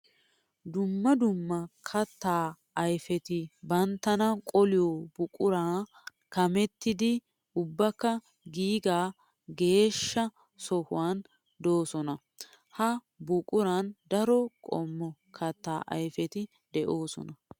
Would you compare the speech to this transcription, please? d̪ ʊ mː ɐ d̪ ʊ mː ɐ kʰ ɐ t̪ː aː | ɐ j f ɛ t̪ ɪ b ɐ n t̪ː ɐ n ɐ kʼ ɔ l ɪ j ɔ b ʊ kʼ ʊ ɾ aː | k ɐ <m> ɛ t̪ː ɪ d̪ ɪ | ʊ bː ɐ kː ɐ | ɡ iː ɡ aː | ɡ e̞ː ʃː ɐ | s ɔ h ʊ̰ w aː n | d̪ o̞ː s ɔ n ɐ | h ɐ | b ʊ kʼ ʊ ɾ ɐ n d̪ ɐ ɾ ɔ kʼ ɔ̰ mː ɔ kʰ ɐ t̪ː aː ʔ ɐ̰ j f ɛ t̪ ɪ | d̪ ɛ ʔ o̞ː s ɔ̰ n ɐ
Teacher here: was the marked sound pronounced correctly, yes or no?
yes